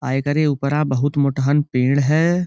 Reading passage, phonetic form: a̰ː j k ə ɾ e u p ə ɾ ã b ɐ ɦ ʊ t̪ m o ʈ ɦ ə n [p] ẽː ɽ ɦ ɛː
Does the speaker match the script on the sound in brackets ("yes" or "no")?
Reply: yes